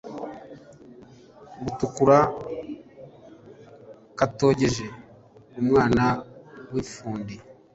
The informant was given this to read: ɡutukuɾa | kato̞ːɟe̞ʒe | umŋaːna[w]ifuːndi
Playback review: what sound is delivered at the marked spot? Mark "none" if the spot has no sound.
w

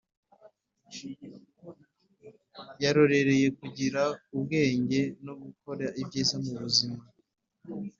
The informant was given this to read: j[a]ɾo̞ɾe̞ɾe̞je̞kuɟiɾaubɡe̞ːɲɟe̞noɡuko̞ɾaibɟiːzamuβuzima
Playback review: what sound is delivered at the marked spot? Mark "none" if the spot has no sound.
a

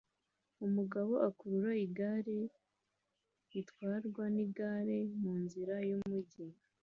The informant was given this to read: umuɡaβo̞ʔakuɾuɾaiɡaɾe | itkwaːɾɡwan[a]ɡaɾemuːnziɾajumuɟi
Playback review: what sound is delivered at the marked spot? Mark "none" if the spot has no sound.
i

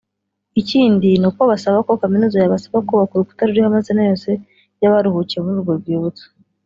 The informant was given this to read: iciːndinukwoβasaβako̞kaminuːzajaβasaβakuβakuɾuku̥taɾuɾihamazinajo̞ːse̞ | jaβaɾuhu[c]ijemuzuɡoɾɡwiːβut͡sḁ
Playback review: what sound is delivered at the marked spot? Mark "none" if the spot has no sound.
c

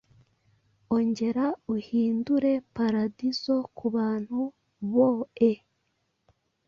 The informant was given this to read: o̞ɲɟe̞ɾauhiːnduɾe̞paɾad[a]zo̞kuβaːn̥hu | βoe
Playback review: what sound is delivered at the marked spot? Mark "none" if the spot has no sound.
i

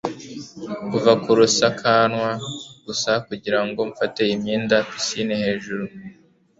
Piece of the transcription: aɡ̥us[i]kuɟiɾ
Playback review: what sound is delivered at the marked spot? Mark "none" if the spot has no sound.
a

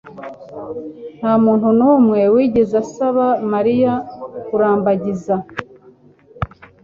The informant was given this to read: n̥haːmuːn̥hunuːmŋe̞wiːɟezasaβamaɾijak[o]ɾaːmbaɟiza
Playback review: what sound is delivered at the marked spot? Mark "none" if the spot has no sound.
u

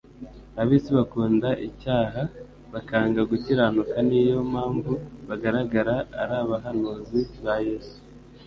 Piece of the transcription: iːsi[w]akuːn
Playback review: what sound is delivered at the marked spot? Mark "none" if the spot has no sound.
β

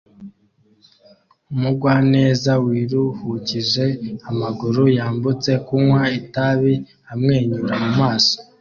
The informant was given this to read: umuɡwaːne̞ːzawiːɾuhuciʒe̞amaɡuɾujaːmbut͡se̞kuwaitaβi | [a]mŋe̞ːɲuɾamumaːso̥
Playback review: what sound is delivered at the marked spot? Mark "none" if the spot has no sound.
a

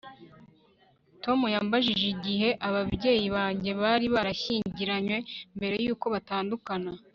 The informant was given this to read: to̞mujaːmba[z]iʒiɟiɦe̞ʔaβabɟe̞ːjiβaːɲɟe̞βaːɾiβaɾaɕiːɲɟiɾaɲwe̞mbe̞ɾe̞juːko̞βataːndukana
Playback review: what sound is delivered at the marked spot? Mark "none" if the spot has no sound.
ʒ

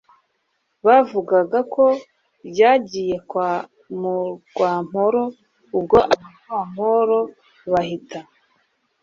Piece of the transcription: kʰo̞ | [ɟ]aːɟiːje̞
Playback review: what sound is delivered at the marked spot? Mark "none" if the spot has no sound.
ɟ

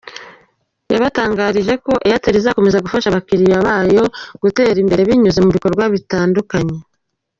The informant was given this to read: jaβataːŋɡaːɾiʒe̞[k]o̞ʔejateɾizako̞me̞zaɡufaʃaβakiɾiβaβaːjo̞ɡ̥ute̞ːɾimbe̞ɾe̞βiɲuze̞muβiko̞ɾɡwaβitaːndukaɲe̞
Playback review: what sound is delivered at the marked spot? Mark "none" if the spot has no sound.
k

